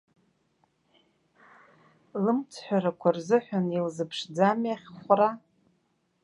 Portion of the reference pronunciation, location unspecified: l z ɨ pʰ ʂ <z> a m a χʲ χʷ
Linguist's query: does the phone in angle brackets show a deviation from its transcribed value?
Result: yes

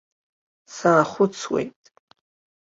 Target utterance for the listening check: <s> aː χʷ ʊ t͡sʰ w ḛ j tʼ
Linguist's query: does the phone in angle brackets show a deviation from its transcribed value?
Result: no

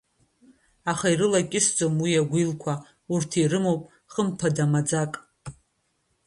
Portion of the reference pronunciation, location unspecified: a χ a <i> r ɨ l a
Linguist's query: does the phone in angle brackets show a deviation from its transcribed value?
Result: no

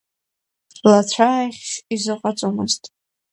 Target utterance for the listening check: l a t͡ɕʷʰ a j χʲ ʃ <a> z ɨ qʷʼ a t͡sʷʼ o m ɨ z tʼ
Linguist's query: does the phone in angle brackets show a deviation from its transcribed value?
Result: yes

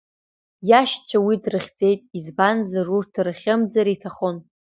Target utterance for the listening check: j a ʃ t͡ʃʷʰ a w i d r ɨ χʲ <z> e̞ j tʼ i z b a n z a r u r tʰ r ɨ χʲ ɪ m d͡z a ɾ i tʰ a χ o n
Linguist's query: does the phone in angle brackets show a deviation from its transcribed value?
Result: yes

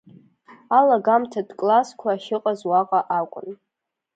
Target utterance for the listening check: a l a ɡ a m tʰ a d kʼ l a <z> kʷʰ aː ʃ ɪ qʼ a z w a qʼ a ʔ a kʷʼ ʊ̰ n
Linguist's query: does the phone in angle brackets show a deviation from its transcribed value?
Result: yes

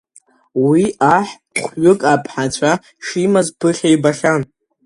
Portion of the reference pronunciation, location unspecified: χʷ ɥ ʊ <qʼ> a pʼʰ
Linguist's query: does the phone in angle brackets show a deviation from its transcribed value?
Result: yes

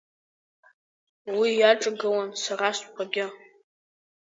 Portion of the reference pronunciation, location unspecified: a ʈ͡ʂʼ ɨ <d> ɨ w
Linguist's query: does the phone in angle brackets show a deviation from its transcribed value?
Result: yes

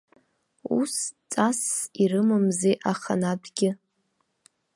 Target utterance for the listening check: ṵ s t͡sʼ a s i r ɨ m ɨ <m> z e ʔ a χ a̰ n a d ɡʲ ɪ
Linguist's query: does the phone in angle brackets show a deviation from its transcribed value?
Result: no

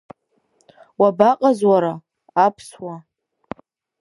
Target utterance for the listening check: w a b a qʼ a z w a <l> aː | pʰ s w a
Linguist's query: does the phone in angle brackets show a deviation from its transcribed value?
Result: yes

